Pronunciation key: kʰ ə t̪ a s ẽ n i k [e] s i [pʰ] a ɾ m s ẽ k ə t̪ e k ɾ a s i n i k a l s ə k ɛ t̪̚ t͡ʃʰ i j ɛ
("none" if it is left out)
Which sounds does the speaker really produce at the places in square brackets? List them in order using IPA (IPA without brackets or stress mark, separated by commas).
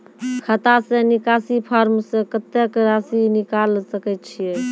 a, pʰ